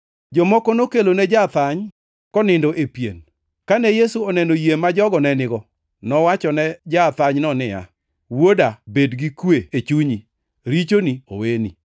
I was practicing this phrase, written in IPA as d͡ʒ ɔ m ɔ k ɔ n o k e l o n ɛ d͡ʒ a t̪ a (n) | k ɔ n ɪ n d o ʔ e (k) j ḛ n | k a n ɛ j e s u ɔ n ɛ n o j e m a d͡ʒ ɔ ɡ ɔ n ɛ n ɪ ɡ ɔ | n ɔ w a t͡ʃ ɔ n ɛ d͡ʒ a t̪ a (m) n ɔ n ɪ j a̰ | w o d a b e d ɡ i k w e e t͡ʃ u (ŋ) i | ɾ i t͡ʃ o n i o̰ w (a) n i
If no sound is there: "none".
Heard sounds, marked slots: ɲ, p, ɲ, ɲ, e

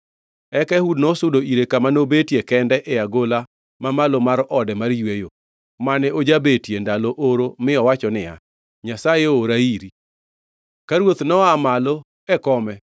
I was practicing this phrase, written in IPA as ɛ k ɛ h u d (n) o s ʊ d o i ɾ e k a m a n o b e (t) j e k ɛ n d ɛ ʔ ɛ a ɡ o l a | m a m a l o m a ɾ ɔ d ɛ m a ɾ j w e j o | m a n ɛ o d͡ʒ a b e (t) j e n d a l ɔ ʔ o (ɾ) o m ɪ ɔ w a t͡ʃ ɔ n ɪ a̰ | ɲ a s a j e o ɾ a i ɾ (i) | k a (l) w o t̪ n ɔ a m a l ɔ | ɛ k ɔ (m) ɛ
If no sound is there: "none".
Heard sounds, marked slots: n, t, t, ɾ, i, ɾ, m

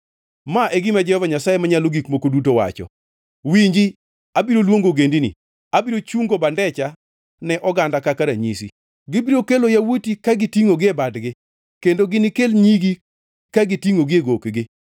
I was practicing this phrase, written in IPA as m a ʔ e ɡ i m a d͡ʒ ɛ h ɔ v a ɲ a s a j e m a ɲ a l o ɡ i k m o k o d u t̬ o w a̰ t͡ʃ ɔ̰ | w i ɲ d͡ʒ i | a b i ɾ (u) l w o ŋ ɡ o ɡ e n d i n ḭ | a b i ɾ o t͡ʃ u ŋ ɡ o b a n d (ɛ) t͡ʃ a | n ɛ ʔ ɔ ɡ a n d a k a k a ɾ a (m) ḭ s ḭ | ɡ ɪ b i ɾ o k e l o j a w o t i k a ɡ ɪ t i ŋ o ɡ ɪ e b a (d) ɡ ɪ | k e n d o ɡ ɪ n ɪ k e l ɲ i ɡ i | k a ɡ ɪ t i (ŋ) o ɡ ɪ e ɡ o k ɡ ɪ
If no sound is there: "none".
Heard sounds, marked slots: o, ɛ, ɲ, d, ŋ

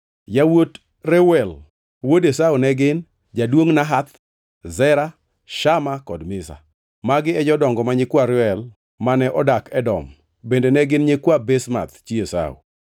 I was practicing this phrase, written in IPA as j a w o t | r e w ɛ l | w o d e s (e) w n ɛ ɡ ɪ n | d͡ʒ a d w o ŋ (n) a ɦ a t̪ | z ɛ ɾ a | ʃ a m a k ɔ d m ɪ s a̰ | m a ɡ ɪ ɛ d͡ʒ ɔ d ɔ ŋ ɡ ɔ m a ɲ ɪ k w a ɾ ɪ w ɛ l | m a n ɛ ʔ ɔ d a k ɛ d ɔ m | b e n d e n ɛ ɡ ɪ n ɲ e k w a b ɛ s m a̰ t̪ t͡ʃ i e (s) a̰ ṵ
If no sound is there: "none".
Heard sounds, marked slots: a, n, s

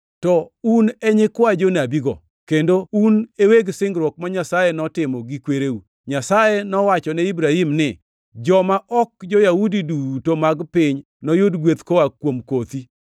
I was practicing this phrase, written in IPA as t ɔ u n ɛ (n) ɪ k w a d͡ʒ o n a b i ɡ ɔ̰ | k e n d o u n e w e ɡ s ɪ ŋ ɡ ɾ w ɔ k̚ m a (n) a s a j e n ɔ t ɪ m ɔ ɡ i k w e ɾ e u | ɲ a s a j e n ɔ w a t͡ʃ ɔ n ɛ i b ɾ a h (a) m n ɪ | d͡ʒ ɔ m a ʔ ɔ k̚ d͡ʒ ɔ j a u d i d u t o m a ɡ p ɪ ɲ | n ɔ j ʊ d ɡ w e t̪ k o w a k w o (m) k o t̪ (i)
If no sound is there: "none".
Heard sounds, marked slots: ɲ, ɲ, i, m, i

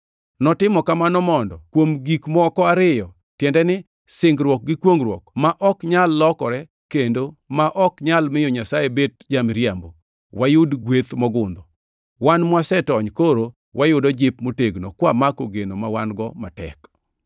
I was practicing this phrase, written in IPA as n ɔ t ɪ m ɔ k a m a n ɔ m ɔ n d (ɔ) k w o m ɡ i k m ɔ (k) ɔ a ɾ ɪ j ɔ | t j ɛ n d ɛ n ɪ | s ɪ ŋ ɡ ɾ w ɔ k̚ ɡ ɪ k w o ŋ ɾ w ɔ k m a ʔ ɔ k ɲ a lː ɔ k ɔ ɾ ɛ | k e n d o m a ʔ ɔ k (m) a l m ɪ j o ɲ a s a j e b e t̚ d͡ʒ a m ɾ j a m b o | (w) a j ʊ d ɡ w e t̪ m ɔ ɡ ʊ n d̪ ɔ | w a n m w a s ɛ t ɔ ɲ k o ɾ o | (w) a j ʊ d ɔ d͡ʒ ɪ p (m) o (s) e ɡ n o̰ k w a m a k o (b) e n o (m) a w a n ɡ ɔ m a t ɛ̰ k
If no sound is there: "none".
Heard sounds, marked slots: ɔ, k, ɲ, w, w, m, t, ɡ, m

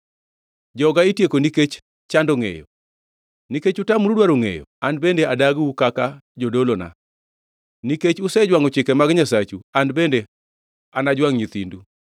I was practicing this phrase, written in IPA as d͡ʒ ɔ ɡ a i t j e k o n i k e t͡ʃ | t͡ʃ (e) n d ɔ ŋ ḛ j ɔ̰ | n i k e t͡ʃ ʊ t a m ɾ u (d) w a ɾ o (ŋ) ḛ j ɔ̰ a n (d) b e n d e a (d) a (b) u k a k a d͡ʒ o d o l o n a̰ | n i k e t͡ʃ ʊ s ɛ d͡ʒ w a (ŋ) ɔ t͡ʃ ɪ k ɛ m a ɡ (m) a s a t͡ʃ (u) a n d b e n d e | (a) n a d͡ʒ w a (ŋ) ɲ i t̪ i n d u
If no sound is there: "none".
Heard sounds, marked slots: a, d, ŋ, d, d, ɡ, ŋ, ɲ, u, a, ŋ

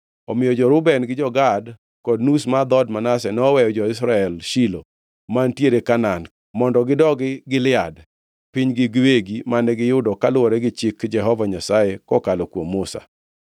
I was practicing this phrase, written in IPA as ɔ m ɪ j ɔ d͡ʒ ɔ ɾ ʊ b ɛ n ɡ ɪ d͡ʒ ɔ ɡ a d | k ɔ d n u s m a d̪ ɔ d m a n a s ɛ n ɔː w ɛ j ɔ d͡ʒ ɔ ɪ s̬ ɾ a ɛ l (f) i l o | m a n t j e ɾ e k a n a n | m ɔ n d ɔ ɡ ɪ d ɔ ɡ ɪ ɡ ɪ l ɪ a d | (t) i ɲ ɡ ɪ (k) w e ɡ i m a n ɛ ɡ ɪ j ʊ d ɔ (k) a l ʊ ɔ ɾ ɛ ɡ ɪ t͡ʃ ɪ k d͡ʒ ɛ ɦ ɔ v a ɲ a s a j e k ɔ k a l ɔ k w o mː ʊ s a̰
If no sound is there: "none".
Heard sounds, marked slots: ʃ, p, ɡ, k

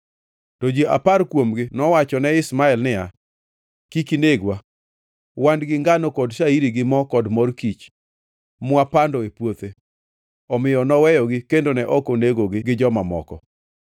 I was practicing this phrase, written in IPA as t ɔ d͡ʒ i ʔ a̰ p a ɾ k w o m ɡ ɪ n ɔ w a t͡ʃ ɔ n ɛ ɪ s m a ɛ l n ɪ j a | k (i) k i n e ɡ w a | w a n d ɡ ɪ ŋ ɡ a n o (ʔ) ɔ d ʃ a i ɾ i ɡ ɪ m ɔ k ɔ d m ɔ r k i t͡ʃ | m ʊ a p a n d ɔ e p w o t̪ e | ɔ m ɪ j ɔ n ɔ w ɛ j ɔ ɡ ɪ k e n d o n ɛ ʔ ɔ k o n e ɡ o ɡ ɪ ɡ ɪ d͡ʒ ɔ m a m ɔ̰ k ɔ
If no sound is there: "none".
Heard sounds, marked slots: i, k

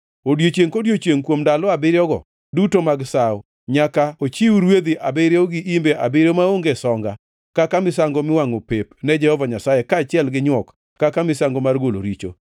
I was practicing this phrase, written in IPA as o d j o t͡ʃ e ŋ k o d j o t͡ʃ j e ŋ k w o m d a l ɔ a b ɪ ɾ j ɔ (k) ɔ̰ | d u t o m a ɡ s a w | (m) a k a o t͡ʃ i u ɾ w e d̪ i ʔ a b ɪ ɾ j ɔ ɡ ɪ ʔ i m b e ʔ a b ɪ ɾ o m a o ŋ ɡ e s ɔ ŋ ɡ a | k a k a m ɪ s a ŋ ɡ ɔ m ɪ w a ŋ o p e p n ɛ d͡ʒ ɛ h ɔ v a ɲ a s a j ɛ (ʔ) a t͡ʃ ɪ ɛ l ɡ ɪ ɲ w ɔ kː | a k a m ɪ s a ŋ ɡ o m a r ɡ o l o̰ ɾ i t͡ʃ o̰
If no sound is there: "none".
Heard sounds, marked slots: ɡ, ɲ, k

